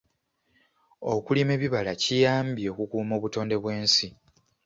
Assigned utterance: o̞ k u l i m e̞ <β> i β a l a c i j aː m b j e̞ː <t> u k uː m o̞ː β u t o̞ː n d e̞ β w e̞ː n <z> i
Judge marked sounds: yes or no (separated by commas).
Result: yes, no, no